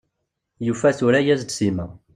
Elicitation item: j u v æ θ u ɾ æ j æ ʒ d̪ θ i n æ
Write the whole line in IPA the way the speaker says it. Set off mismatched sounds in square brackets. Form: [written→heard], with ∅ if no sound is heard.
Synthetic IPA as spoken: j u [v→f] æ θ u ɾ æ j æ [ʒ→z] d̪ [θ→s] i [n→m] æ